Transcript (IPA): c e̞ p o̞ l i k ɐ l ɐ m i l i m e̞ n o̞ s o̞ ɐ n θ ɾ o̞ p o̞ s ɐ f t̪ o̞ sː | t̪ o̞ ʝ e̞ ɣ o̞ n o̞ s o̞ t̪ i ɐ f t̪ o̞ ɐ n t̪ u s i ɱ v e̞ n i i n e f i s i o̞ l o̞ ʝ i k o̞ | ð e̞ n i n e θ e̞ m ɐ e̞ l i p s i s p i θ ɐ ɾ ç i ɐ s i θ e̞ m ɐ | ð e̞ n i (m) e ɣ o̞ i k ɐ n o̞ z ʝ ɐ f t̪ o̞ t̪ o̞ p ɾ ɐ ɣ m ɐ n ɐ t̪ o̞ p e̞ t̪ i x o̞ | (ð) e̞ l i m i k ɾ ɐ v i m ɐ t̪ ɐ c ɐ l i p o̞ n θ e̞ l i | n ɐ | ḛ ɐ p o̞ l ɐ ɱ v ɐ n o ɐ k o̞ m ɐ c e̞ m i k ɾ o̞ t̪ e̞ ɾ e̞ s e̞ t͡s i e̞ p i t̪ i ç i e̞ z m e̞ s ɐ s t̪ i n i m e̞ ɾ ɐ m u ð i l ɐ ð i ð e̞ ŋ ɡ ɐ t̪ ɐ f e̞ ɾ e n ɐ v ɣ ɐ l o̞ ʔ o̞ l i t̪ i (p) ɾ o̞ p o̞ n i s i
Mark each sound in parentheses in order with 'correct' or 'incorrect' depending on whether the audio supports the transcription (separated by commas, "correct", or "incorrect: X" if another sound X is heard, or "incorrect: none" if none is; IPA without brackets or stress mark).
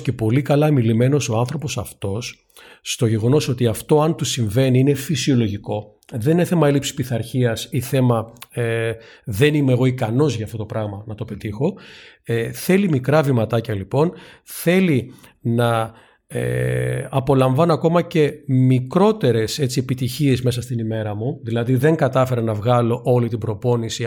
correct, incorrect: θ, incorrect: b